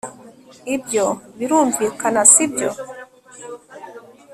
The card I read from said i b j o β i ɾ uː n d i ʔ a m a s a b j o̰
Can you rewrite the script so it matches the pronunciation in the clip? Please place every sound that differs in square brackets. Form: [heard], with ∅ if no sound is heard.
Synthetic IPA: i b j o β i ɾ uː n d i [k] a [n] a s [i] b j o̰